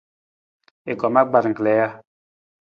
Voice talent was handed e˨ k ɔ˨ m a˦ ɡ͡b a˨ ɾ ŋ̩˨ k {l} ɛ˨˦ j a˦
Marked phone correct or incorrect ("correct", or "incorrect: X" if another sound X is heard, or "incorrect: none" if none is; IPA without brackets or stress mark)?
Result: correct